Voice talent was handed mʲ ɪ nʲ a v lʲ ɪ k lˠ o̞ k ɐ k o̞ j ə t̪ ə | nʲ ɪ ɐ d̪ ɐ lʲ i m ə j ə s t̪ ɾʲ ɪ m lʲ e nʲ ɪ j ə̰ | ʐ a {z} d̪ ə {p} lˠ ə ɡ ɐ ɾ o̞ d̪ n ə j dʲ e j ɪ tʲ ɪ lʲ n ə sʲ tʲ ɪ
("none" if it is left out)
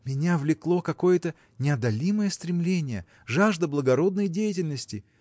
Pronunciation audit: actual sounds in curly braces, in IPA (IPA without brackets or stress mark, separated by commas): ʐ, b